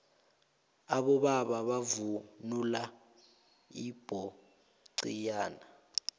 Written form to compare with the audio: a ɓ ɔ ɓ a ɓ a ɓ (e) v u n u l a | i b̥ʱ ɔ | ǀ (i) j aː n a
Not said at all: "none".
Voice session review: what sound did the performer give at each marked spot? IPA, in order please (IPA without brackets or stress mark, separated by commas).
a, i